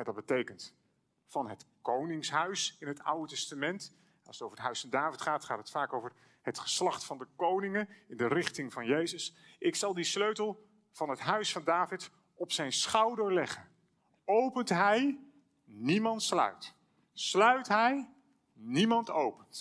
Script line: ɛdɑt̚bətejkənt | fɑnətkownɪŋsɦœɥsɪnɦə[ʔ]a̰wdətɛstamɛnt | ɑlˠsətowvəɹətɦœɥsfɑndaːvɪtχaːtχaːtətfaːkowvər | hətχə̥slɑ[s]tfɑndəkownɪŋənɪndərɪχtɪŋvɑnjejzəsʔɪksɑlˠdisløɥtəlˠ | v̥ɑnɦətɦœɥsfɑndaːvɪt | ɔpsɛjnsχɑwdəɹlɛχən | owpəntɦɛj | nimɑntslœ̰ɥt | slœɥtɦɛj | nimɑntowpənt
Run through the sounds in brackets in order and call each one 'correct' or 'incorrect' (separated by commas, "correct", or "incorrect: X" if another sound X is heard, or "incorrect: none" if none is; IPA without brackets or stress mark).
incorrect: t, incorrect: χ